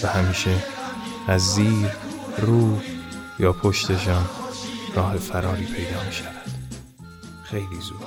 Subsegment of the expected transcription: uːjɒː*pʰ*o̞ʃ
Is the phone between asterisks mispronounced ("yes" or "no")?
no